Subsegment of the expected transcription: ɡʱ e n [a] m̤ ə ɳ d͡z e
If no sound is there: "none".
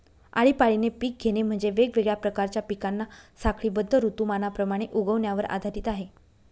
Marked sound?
e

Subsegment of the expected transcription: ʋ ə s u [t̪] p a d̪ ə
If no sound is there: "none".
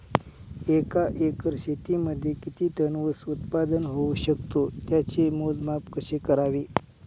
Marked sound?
t̪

